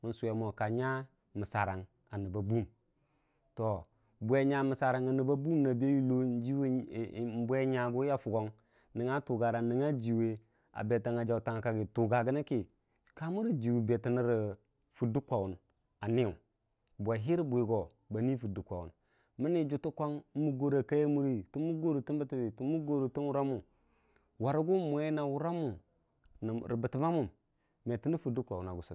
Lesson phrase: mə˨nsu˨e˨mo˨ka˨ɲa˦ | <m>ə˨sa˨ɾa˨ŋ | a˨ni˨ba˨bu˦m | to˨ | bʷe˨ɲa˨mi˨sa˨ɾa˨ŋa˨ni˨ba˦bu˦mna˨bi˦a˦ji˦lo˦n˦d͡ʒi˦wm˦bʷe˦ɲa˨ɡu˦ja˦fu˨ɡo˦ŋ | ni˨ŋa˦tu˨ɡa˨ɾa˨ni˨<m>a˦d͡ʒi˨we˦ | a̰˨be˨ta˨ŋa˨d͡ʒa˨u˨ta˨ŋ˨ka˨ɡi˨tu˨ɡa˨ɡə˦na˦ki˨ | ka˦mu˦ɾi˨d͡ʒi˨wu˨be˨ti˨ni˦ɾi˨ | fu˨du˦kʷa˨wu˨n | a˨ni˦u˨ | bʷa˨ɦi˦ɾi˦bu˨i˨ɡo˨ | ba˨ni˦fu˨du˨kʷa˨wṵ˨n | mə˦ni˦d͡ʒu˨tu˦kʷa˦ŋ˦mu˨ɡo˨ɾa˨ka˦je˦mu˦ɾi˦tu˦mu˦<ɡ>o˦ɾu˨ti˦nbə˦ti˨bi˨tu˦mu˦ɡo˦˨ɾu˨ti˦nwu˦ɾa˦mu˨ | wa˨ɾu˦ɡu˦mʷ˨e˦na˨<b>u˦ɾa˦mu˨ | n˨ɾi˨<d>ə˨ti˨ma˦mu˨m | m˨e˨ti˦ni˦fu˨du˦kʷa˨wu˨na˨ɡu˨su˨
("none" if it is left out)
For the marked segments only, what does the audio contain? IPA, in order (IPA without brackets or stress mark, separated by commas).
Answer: m, ŋ, ɡ, w, b